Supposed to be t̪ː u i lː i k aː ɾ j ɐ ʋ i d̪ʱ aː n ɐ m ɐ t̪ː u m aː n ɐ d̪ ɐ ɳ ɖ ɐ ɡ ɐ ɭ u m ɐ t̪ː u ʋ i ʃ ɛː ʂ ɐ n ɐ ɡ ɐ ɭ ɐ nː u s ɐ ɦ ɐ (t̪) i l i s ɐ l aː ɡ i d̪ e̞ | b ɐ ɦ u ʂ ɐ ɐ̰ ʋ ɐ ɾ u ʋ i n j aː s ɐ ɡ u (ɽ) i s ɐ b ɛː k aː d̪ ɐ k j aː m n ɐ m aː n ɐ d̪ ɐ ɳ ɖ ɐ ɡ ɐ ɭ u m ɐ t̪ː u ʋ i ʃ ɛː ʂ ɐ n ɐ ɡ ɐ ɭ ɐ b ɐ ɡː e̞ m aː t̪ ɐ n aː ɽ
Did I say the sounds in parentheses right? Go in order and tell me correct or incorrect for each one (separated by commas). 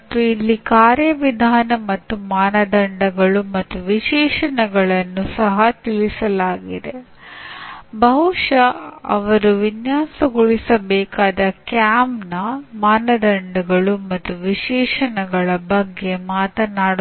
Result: correct, incorrect